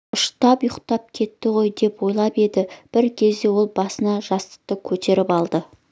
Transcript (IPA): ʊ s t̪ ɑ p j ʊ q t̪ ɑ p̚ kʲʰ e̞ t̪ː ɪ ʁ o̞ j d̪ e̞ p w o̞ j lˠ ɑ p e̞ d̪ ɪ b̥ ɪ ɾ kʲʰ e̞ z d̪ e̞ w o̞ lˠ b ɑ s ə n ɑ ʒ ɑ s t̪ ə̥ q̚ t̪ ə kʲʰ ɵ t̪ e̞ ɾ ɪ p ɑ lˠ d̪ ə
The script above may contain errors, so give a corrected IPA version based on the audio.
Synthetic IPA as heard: ʊ ʃ t̪ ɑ p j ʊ q t̪ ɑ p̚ kʲʰ e̞ t̪ː ɪ ʁ o̞ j d̪ e̞ p w o̞ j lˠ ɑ p e̞ d̪ ɪ b̥ ɪ ɾ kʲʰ e̞ z d̪ e̞ w o̞ lˠ b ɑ s ə n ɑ ʒ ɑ s t̪ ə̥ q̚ t̪ ə kʲʰ ɵ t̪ e̞ ɾ ɪ p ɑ lˠ d̪ ə